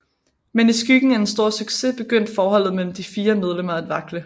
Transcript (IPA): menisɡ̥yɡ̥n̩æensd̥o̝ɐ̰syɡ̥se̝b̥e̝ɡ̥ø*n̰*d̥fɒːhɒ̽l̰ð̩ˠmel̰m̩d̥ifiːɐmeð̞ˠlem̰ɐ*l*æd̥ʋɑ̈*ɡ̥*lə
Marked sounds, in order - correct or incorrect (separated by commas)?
correct, incorrect, correct